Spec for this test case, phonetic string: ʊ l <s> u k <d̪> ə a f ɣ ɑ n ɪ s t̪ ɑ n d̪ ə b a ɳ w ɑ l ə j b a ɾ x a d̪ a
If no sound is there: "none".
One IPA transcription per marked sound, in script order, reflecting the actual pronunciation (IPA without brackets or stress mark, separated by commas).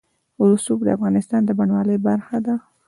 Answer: s, d̪